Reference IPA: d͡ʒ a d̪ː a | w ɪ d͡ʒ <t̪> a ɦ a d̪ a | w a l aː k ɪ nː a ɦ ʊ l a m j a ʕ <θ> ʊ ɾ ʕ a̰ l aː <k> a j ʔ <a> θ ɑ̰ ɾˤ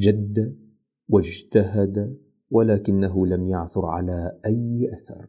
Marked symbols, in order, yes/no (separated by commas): yes, yes, no, yes